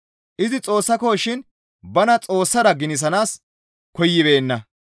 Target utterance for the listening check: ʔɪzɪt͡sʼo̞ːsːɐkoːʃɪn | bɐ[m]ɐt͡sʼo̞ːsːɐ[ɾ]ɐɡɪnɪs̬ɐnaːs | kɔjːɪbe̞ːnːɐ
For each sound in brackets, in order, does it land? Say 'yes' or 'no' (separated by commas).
no, yes